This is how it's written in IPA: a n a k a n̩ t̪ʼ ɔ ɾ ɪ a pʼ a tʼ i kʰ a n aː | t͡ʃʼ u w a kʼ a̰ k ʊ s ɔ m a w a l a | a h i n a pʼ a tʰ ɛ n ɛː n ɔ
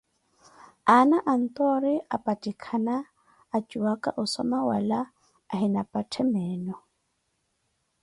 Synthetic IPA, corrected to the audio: a n a ʔ a n̩ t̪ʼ ɔ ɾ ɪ a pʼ a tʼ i kʰ a n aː | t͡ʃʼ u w a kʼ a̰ ʔ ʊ s ɔ m a w a l a | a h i n a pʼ a tʰ ɛ m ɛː n ɔ